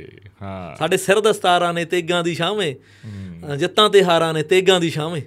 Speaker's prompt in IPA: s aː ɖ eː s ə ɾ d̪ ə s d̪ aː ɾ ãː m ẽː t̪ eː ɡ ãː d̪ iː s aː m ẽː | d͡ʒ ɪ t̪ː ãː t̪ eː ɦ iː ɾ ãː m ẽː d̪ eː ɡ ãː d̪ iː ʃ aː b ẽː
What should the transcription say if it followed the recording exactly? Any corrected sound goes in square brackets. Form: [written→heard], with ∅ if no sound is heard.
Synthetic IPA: s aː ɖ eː s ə ɾ d̪ ə s [d̪→t̪] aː ɾ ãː [m→n] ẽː t̪ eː ɡ ãː d̪ iː [s→ʃ] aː m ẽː | d͡ʒ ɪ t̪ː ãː t̪ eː ɦ [iː→aː] ɾ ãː [m→n] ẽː [d̪→t̪] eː ɡ ãː d̪ iː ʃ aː [b→m] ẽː